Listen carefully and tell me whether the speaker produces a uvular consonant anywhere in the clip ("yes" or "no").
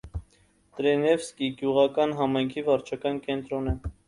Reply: yes